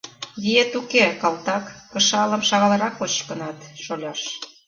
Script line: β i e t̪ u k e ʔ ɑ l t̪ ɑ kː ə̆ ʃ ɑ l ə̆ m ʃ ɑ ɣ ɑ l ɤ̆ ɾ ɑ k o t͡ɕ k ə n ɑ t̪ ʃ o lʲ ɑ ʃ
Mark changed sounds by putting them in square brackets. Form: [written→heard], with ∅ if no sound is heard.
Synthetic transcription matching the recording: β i e t̪ u k e [ʔ→k] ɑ l t̪ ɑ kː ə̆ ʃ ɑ l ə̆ m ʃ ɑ ɣ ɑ l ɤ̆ ɾ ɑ k o t͡ɕ k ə n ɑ t̪ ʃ o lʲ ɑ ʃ